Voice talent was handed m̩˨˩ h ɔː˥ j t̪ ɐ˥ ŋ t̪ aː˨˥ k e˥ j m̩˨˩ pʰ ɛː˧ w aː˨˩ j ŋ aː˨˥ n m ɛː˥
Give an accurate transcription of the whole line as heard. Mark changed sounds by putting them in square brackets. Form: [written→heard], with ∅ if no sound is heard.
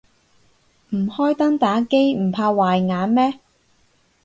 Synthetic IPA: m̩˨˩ h ɔː˥ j t̪ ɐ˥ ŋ t̪ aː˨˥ k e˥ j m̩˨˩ pʰ [ɛː˧→aː˧] w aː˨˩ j ŋ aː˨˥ n m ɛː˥